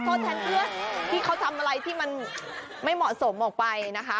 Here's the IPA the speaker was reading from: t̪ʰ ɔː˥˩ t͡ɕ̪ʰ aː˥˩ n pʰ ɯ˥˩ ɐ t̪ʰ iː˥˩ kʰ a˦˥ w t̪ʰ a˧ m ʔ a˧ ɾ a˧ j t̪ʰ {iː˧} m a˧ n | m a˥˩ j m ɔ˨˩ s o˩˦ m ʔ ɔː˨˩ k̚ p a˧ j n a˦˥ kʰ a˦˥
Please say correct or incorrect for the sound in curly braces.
incorrect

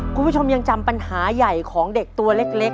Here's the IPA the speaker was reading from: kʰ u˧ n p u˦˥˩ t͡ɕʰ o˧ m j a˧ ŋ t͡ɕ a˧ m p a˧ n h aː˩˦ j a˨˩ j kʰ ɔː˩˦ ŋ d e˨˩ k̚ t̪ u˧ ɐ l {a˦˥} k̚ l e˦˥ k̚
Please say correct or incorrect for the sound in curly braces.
incorrect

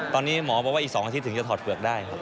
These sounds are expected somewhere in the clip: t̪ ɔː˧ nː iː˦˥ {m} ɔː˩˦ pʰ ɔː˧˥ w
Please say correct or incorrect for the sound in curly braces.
correct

